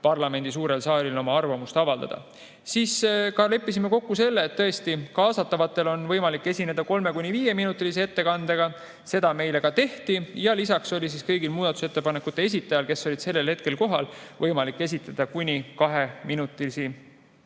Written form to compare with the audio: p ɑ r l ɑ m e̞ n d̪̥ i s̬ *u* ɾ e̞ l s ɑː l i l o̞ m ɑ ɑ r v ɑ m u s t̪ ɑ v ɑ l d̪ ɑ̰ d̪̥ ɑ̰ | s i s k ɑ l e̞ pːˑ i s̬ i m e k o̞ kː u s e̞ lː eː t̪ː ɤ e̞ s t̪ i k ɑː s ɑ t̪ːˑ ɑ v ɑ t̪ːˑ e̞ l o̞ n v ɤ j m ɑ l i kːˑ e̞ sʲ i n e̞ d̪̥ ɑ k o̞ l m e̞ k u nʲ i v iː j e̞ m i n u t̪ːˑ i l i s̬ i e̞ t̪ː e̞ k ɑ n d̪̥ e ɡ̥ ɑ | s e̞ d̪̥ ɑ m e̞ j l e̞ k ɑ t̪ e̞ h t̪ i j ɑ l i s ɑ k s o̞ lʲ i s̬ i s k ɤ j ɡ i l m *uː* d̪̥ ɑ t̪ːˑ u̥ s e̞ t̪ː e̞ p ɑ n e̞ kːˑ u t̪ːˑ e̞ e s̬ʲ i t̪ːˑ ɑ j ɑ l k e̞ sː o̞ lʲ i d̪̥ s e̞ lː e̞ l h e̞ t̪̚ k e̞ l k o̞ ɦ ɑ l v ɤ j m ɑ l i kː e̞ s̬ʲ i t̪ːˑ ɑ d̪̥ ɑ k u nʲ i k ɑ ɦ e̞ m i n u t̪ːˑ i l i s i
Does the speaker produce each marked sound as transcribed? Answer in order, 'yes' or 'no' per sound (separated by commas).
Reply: no, yes